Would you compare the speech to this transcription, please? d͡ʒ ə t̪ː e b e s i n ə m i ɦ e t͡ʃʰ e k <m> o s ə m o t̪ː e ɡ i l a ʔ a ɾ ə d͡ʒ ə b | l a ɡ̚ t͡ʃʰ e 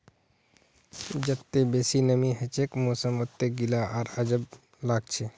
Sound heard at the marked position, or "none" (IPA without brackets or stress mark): m